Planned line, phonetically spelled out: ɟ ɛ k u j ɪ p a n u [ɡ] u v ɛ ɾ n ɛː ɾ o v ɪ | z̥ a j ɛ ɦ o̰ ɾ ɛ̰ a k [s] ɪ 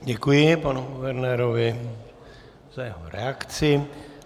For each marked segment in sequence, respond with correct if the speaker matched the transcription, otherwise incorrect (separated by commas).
correct, incorrect